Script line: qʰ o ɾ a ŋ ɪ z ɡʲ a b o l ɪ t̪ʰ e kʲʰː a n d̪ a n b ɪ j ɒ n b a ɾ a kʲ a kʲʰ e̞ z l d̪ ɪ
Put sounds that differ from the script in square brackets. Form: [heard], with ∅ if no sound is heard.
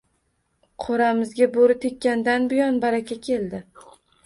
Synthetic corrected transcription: qʰ o ɾ a [m] ɪ z ɡʲ a b o [ɾ] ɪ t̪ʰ e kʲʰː a n d̪ a n b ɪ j ɒ n b a ɾ a kʲ a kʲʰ e̞ [∅] l d̪ ɪ